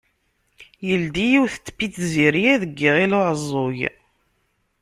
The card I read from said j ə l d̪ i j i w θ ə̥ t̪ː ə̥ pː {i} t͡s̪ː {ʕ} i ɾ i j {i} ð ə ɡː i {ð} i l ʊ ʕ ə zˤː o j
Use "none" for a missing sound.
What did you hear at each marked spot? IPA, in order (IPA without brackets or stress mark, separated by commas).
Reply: i, z, æ, ʁ